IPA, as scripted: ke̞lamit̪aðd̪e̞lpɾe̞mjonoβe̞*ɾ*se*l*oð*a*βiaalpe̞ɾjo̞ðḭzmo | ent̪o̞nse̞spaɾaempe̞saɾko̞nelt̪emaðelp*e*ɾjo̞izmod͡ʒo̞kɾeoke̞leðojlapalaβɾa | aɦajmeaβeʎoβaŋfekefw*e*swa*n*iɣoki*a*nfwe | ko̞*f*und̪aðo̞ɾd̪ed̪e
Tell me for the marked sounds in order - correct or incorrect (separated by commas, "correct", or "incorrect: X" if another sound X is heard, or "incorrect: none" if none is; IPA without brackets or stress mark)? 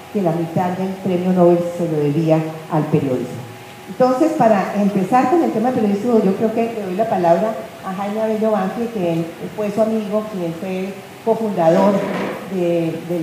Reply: incorrect: l, correct, incorrect: e, correct, correct, incorrect: m, incorrect: e, correct